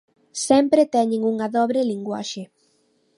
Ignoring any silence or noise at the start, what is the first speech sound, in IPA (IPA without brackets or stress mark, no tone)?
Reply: s